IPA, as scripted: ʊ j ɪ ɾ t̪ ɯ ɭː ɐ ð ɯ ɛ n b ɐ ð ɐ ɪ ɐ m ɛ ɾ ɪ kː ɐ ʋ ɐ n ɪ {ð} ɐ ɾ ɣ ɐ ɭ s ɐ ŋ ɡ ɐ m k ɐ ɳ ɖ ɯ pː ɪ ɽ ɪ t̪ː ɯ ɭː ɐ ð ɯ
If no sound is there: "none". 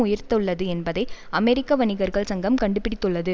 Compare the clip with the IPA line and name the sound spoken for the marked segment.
ɣ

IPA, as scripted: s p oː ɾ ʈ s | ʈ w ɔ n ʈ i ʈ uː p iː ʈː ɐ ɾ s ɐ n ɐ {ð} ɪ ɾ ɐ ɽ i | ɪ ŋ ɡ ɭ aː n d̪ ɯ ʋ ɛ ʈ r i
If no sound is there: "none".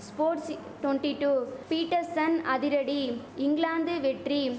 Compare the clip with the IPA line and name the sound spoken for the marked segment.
ð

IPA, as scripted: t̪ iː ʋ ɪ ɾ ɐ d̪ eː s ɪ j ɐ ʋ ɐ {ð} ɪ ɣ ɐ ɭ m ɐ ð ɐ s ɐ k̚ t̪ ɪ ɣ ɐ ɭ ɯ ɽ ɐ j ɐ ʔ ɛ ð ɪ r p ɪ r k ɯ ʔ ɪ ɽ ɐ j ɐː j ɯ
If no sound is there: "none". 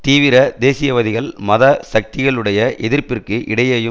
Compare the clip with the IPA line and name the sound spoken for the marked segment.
ð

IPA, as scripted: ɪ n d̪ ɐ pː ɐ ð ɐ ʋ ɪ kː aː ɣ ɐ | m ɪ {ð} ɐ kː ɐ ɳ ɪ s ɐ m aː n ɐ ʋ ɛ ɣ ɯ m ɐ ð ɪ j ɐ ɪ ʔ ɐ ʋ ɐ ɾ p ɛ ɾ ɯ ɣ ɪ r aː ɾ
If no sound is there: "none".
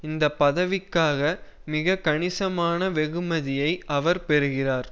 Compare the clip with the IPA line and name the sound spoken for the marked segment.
ɣ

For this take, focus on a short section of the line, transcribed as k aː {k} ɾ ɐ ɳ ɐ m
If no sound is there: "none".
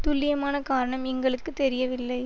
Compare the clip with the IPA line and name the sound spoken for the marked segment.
none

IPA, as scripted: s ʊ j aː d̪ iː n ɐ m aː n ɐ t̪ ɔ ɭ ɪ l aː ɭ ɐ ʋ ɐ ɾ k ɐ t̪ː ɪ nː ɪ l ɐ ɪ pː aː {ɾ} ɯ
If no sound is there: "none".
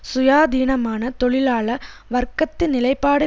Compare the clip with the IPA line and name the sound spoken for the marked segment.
ɽ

